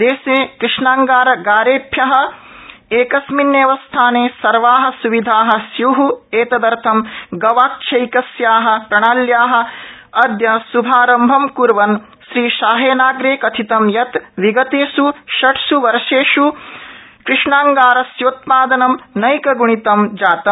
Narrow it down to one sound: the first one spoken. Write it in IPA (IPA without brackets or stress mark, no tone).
d̪